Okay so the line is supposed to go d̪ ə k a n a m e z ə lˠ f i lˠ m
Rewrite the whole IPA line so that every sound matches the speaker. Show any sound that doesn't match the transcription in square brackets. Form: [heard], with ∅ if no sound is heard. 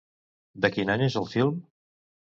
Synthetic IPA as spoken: d̪ ə k [i] n a [ɲ] e z ə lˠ f i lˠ m